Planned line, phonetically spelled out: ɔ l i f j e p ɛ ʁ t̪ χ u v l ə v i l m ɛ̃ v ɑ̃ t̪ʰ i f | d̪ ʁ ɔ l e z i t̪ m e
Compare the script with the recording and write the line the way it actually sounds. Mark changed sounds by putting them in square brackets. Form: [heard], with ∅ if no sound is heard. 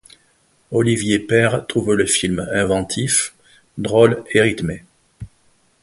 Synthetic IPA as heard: ɔ l i [v] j e p ɛ ʁ t̪ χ u v l ə [f] i l m ɛ̃ v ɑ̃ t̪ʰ i f | d̪ ʁ ɔ l e [ʁ] i t̪ m e